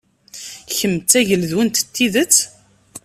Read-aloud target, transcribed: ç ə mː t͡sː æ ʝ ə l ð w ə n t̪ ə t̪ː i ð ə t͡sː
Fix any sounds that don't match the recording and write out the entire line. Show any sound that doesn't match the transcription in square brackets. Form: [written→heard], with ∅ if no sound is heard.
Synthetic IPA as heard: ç ə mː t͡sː æ ʝ ə l ð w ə n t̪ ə t̪ː i ð ə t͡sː